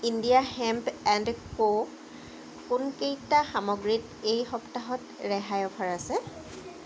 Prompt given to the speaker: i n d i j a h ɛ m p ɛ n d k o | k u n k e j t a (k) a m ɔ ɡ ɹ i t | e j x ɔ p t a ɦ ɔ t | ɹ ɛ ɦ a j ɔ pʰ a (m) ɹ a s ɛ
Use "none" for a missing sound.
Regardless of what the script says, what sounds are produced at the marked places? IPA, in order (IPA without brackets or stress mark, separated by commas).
x, none